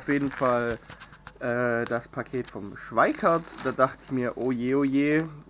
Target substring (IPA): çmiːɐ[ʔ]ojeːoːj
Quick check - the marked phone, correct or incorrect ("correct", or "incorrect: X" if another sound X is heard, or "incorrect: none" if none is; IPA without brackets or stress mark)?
correct